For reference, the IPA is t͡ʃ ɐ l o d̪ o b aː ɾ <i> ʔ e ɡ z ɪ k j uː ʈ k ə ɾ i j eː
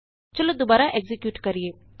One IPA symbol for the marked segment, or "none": a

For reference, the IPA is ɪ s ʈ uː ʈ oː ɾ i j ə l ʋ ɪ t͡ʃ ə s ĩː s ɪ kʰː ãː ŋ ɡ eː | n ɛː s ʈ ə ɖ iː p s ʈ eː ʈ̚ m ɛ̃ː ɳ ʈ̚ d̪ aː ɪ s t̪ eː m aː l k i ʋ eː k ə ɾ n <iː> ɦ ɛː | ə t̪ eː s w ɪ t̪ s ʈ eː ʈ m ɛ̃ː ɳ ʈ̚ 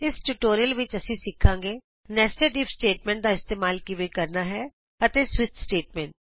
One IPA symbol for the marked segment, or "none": aː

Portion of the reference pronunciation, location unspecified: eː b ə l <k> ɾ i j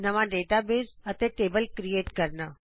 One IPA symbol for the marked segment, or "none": k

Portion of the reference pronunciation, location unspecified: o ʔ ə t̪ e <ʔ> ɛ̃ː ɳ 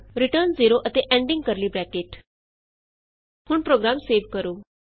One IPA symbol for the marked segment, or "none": ʔ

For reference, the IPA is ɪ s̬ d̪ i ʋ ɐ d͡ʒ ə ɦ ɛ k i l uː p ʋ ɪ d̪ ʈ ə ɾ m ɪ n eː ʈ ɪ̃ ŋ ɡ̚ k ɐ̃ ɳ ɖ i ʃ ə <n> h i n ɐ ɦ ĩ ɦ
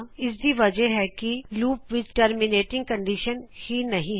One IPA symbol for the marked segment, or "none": n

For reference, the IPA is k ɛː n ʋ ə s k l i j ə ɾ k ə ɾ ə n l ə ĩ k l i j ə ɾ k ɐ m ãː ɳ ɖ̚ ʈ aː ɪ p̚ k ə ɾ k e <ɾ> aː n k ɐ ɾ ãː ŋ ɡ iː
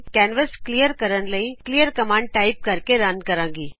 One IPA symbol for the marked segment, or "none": ɾ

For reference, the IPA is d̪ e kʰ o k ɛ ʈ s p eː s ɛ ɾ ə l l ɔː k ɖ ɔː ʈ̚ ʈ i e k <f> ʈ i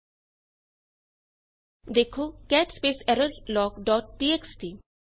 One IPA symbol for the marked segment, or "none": s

